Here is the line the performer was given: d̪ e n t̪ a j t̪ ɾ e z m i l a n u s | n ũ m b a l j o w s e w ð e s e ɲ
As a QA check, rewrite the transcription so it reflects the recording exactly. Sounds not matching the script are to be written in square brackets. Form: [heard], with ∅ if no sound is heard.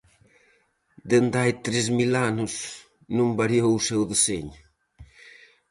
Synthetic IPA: d̪ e n [d̪] a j t̪ ɾ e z m i l a n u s | n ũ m b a [ɾ] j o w s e w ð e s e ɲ